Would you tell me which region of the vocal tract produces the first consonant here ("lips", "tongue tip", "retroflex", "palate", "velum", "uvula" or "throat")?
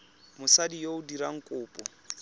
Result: lips